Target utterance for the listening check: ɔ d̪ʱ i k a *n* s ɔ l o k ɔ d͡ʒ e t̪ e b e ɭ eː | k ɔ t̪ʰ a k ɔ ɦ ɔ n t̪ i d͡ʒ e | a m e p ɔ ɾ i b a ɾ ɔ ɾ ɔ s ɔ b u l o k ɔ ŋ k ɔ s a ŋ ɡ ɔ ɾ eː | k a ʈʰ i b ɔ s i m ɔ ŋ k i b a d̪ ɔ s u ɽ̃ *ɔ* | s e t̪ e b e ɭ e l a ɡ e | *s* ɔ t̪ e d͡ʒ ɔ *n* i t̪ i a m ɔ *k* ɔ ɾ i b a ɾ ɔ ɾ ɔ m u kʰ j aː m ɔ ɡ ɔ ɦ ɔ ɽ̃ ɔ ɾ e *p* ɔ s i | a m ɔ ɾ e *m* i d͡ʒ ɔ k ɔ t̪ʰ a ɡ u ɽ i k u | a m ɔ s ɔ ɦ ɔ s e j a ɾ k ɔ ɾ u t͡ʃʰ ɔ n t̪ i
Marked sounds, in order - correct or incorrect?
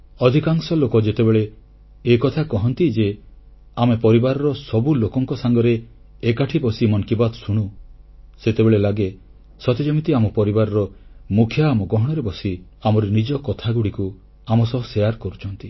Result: incorrect: ŋ, incorrect: u, correct, incorrect: m, incorrect: p, incorrect: b, incorrect: n

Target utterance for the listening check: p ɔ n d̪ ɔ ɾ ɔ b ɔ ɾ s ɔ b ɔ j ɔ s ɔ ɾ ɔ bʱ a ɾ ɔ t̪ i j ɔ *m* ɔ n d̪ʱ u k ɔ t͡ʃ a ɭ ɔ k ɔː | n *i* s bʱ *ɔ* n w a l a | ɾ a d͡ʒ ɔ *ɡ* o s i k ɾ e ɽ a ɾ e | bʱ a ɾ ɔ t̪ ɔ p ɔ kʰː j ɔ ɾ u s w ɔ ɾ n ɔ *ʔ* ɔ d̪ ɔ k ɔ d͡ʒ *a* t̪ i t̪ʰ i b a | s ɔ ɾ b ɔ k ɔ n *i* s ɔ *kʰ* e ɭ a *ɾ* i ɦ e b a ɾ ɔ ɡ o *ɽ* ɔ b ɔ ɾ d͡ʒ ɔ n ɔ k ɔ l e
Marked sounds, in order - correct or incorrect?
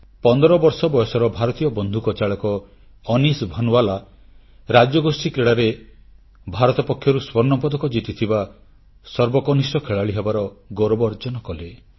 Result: incorrect: b, correct, correct, correct, incorrect: p, incorrect: i, correct, correct, incorrect: ɭ, incorrect: ɾ

